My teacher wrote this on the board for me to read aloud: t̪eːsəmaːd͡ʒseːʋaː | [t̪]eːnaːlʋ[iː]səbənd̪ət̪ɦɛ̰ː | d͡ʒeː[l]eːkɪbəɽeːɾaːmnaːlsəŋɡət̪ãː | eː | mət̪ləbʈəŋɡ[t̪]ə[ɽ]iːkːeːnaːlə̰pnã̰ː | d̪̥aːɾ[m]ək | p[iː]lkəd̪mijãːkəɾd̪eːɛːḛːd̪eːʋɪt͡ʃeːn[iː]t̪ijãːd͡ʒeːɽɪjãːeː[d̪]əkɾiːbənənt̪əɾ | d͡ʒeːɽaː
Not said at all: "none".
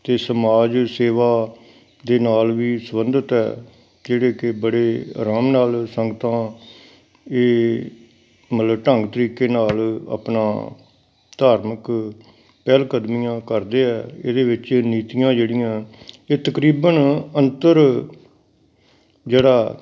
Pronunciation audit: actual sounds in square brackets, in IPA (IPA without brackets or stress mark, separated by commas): d̪, iː, ɽ, t̪, ɾ, m, ɛː, iː, t̪